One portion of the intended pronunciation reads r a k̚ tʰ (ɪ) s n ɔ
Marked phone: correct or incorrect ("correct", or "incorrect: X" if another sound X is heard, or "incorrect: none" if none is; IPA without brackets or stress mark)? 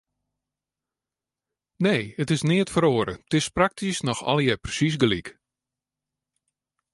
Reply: incorrect: i